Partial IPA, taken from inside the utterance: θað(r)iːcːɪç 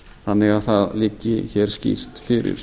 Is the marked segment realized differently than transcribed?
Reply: yes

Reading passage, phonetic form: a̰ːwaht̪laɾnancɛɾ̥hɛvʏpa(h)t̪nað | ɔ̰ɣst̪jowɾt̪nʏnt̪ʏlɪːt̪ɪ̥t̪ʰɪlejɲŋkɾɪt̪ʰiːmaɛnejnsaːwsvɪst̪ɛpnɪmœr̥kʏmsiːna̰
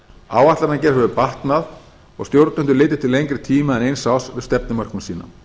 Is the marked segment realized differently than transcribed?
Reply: no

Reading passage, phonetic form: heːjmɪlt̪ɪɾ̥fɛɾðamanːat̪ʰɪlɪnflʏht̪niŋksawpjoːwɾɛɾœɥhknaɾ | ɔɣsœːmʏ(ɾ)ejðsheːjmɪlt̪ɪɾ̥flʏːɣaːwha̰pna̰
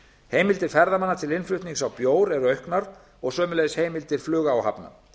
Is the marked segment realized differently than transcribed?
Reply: yes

